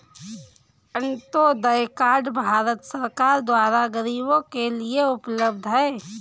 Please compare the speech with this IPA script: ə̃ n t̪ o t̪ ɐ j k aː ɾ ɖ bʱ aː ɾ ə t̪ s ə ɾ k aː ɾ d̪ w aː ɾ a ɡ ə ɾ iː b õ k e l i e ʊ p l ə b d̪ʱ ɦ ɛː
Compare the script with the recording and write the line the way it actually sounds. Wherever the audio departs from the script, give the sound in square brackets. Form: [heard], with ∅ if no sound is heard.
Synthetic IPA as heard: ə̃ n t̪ o [d̪] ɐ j k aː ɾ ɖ bʱ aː ɾ ə t̪ s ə ɾ k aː ɾ d̪ w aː ɾ a ɡ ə ɾ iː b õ k e l i e ʊ p l ə b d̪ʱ ɦ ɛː